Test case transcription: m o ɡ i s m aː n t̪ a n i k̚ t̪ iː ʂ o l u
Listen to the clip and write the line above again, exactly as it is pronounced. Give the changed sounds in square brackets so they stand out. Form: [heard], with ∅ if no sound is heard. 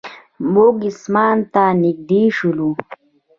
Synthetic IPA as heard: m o ɡ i s m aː n t̪ a n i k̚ [d̪] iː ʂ [u] l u